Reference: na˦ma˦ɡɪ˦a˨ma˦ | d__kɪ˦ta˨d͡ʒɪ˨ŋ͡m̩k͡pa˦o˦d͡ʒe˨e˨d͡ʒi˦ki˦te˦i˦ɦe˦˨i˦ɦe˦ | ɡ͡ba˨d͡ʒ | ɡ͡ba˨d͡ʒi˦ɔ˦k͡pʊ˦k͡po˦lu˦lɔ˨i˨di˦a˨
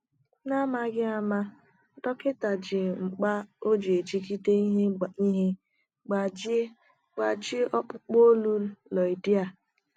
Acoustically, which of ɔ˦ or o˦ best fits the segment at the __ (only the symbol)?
ɔ˦